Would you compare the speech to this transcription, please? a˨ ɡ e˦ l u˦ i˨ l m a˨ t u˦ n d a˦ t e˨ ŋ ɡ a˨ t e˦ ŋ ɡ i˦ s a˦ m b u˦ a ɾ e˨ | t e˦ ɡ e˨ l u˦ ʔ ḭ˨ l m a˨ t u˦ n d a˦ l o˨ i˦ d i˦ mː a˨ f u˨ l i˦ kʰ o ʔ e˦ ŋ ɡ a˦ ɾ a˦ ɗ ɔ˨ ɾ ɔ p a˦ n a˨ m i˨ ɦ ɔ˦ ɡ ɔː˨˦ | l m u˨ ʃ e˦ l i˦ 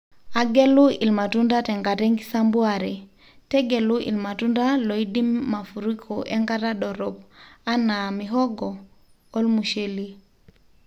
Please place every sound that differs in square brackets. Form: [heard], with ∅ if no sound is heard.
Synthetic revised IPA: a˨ ɡ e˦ l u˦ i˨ l m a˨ t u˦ n d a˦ t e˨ ŋ ɡ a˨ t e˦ ŋ ɡ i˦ s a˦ m b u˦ a ɾ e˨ | t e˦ ɡ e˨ l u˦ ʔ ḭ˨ l m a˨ t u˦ n d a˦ l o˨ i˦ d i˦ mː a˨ f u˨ [ɾ] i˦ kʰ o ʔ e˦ ŋ ɡ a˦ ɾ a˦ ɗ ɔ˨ ɾ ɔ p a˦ n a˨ m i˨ ɦ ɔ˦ ɡ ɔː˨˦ | l m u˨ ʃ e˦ l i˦